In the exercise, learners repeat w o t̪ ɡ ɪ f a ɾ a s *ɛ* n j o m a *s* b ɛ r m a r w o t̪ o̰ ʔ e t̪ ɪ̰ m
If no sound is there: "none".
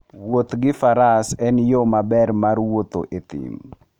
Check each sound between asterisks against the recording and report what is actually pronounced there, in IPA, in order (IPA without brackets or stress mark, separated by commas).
ɛ, none